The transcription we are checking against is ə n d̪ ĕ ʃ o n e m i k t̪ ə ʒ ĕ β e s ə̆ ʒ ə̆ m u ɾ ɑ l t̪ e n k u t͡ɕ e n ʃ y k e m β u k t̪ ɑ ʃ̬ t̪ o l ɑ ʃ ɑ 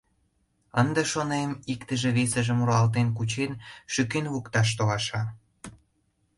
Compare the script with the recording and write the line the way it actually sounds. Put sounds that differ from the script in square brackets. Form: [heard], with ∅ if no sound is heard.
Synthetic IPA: ə n d̪ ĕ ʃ o n e m i k t̪ ə ʒ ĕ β e s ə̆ ʒ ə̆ m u ɾ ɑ l t̪ e n k u t͡ɕ e n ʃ y k e [n] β u k t̪ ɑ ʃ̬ t̪ o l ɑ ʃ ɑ